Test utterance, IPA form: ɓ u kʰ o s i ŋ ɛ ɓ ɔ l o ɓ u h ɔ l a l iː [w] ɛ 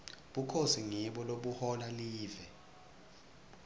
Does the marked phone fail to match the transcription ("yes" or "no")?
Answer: yes